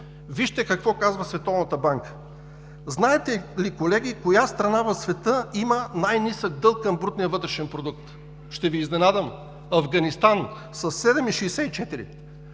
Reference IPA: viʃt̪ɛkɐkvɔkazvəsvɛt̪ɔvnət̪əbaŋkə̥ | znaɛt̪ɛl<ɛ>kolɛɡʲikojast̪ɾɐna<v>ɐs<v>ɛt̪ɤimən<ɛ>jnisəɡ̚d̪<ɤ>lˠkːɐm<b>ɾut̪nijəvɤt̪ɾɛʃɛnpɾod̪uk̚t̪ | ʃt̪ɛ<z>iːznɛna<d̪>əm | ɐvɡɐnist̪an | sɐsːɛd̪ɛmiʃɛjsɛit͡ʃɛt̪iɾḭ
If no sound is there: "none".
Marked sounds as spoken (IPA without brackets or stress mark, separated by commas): i, v, v, a, ɤ, b, v, d̪